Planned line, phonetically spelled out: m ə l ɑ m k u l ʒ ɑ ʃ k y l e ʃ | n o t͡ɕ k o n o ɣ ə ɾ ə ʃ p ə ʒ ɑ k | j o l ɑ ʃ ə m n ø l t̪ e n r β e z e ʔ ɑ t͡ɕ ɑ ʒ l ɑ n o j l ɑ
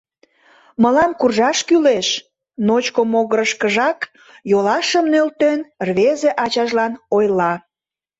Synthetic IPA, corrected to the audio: m ə l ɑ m k u r ʒ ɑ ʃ k y l e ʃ | n o t͡ɕ k o m o ɣ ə ɾ ə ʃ k ə ʒ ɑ k | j o l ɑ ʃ ə m n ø l t̪ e n r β e z e ʔ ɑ t͡ɕ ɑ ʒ l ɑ n o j l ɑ